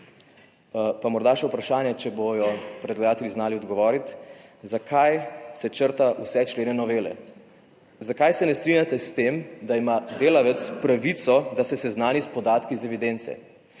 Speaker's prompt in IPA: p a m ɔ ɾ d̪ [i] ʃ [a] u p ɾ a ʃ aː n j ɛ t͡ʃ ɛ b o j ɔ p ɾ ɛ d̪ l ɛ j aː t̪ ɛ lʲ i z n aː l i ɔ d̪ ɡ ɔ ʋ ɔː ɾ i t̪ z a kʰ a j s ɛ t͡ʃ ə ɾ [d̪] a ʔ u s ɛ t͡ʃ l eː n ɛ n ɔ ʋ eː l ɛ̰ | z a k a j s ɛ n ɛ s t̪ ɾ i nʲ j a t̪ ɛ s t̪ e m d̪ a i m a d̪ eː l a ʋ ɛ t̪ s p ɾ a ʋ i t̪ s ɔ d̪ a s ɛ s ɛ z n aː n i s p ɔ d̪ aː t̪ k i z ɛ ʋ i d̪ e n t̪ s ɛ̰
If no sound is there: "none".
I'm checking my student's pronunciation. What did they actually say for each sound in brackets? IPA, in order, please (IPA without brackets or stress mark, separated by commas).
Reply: a, ɛ, t̪